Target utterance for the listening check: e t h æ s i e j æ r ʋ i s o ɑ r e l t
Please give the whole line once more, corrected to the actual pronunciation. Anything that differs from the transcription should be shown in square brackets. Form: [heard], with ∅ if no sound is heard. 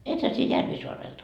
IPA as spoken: e t h æ s i e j æ r ʋ i s o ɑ r e l t